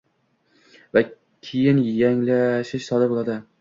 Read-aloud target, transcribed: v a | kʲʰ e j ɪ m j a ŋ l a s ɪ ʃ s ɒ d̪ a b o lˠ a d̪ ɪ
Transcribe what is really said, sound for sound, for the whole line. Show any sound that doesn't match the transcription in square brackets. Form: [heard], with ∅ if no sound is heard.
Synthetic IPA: v a | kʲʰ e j ɪ [n] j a ŋ l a [ʃ] ɪ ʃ s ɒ d̪ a b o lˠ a d̪ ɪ